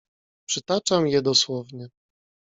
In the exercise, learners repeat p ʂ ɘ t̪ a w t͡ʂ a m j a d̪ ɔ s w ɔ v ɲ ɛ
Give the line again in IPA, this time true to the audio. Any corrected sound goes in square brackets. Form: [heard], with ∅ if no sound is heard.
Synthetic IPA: p ʂ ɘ t̪ a [∅] t͡ʂ a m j [ɛ] d̪ ɔ s w ɔ v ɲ ɛ